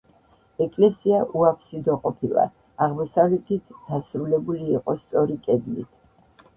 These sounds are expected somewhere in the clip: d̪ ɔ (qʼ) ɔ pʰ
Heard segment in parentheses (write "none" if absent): qʼ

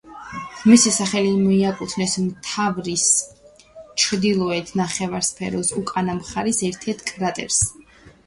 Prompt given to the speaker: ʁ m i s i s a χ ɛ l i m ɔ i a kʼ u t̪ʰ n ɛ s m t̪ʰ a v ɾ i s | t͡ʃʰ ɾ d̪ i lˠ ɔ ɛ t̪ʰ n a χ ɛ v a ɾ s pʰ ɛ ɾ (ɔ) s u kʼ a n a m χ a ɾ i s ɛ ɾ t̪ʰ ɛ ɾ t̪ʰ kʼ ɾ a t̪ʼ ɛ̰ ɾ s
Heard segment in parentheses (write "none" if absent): ɔ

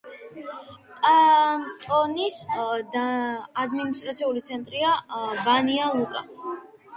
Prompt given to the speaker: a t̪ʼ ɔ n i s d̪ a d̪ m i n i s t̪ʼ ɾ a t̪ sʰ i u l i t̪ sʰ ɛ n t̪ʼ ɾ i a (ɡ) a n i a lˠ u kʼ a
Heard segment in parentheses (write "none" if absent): b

